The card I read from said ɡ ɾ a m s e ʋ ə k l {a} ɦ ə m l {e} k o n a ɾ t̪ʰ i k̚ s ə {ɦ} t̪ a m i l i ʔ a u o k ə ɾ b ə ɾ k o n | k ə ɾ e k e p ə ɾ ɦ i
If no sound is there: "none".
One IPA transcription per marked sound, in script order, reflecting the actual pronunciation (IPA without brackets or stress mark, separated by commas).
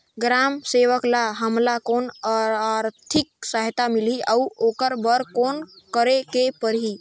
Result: a, a, ɦ